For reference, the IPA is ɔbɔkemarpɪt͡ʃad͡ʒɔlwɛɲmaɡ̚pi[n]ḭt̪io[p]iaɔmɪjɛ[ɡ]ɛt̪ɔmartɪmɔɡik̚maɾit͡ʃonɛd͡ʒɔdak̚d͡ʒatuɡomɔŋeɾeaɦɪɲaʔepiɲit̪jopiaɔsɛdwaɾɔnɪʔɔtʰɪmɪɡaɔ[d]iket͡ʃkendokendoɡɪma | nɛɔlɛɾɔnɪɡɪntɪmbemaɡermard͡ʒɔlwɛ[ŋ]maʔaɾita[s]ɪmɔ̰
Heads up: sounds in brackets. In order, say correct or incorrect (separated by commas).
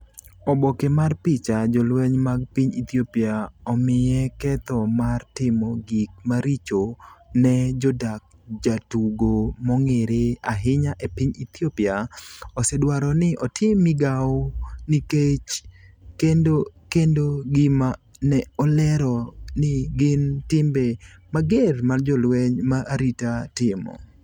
incorrect, correct, incorrect, incorrect, incorrect, incorrect